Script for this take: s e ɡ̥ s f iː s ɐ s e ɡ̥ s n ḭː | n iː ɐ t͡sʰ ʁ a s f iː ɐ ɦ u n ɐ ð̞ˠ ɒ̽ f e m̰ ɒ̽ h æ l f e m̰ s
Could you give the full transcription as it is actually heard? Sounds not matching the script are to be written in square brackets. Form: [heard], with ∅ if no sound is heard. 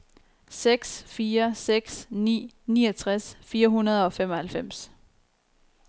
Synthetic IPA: s e ɡ̥ s f iː [∅] ɐ s e ɡ̥ s n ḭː | n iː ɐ t͡sʰ ʁ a s f iː ɐ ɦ u n ɐ ð̞ˠ ɒ̽ f e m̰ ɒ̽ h æ l f e m̰ s